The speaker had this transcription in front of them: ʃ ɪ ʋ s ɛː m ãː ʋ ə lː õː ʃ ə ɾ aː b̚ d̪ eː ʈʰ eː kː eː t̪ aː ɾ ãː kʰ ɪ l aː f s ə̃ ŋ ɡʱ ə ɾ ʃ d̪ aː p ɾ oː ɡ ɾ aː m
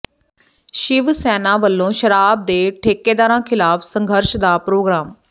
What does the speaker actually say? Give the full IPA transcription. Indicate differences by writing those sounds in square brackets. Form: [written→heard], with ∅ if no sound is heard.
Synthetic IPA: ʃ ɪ ʋ s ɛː [m→n] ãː ʋ ə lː õː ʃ ə ɾ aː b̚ d̪ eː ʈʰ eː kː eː [t̪→d̪] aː ɾ ãː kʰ ɪ l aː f s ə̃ ŋ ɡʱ ə ɾ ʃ d̪ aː p ɾ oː ɡ ɾ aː m